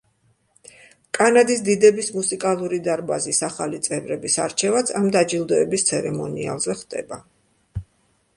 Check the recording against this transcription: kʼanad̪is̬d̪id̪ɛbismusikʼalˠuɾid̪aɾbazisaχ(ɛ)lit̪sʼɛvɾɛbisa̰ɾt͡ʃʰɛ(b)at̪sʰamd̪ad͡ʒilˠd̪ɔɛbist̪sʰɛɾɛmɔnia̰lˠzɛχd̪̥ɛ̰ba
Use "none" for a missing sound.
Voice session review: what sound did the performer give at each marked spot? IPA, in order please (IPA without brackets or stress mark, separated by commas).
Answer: a, v